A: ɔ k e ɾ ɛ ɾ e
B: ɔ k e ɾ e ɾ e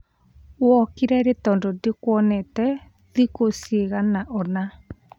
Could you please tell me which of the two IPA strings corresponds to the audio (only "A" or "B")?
A